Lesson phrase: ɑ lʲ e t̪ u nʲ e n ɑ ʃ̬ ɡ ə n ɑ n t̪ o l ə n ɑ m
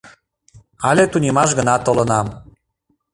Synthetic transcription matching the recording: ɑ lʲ e t̪ u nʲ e m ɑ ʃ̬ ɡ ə n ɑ t̪ o l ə n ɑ m

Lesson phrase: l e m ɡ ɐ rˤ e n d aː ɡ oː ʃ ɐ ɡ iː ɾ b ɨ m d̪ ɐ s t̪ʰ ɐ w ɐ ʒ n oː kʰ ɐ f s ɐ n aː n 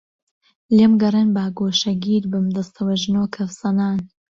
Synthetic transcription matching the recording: l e m ɡ ɐ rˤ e n b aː ɡ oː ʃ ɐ ɡ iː ɾ b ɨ m d̪ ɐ s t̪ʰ ɐ w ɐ ʒ n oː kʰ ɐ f s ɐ n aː n

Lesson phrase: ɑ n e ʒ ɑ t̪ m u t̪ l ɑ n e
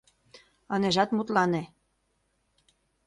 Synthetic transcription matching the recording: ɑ n e ʒ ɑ t̪ m u t̪ l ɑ n e

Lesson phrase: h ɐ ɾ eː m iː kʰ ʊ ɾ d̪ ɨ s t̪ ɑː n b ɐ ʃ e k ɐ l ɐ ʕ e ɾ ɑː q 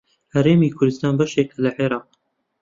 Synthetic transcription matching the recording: h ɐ ɾ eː m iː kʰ ʊ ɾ d̪ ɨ s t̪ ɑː n b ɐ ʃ e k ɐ l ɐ ʕ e ɾ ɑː q

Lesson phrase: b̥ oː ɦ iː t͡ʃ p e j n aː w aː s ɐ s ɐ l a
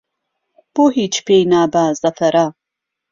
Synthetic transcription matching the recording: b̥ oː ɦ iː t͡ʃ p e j n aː b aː z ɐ f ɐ ɾ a

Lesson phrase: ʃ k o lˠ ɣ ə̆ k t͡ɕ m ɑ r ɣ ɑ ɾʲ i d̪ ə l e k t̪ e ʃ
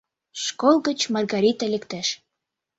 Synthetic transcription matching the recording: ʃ k o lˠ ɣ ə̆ t͡ɕ m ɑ r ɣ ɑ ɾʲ i t̪ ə l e k t̪ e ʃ

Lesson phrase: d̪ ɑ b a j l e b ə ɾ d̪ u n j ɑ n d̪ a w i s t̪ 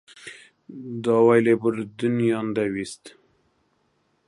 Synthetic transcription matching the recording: d̪ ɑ w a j l e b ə ɾ d̪ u n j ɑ n d̪ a w i s t̪

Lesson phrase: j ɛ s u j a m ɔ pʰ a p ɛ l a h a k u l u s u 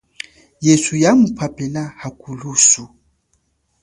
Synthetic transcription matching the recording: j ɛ s u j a m u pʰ a p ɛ l a h a k u l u s u

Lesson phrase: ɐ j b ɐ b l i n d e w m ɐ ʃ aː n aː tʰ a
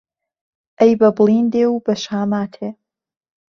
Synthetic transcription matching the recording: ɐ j b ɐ b l i n d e w b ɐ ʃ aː m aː tʰ e

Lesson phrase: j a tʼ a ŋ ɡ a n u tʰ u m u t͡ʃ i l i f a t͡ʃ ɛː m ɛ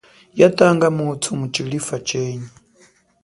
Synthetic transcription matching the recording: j a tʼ a ŋ ɡ a m u tʰ u m u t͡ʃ i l i f a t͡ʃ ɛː ɲ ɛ

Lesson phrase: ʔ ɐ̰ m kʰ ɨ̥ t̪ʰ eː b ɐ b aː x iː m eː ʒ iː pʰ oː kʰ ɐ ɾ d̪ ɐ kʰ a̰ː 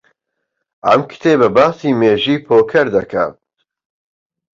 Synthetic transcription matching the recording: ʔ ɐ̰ m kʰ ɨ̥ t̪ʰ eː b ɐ b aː s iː m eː ʒ iː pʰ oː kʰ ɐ ɾ d̪ ɐ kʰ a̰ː

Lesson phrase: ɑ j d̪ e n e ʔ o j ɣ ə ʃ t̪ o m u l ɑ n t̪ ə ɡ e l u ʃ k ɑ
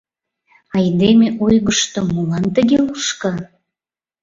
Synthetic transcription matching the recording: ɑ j d̪ e m e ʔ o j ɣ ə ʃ t̪ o m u l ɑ n t̪ ə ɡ e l u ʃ k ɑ

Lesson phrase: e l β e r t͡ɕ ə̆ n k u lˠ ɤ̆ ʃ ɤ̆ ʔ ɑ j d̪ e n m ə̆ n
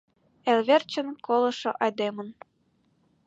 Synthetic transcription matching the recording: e l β e r t͡ɕ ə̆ n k o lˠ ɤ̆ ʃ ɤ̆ ʔ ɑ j d̪ e m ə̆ n

